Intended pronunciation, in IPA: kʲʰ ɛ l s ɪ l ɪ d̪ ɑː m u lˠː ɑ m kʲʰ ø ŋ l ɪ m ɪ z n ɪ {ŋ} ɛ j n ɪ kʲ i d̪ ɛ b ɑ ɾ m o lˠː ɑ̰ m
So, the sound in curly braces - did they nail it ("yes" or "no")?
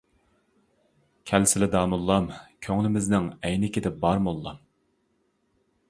yes